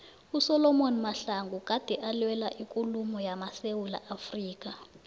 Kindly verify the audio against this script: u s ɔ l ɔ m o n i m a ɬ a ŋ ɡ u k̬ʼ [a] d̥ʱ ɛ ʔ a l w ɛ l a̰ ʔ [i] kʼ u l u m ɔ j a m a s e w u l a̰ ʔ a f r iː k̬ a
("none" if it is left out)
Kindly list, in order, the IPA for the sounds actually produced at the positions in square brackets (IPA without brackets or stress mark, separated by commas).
a, i